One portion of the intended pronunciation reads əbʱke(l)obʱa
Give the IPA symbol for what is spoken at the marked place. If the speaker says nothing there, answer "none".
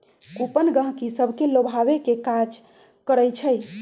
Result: l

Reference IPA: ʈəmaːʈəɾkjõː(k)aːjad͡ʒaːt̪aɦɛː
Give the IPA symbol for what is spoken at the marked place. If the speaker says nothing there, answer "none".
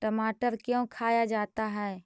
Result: kʰ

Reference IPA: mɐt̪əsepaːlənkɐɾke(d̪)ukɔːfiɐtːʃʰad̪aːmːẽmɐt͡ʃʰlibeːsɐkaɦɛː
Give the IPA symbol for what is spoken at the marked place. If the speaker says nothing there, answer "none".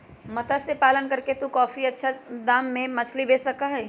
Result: t̪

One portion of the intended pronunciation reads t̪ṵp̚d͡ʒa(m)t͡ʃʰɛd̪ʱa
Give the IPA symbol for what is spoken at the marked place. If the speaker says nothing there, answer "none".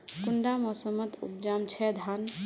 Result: m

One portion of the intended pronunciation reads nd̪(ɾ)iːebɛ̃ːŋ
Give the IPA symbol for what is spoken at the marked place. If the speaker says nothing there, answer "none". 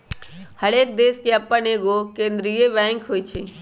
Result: ɾ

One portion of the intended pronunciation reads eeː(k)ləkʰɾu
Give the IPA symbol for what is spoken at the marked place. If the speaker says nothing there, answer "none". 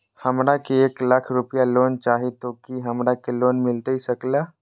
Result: k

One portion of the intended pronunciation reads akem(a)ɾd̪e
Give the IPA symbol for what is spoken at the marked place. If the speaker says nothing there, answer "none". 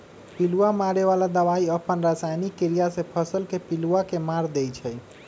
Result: a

